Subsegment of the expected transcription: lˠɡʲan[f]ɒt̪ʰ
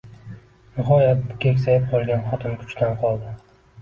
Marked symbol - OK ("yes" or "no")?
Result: no